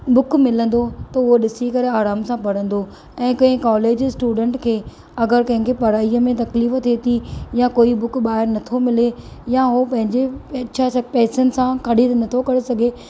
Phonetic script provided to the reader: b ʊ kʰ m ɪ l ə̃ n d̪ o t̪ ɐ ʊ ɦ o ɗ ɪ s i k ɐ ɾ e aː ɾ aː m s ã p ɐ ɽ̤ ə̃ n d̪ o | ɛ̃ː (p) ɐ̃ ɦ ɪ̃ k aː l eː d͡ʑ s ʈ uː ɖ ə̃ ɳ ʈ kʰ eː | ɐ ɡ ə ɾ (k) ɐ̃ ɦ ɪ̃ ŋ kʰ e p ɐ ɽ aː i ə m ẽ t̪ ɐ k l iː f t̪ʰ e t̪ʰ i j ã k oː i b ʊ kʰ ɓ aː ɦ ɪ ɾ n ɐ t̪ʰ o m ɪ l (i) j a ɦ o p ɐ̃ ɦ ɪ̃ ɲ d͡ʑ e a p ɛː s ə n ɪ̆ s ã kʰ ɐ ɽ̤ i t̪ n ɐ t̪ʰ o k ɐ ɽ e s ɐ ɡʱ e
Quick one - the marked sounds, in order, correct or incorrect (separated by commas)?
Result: incorrect, correct, incorrect